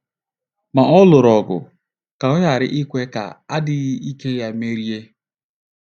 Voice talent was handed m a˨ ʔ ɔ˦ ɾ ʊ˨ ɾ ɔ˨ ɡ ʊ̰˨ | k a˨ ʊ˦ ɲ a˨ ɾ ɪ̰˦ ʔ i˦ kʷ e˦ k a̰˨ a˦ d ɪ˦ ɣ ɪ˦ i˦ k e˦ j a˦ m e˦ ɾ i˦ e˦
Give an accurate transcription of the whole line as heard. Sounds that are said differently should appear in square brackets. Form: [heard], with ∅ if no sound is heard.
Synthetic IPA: m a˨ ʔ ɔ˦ [l] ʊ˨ ɾ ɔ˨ ɡ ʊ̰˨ | k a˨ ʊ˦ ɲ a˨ ɾ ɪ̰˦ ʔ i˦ kʷ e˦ k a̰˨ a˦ d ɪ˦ ɣ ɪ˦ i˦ k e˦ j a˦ m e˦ ɾ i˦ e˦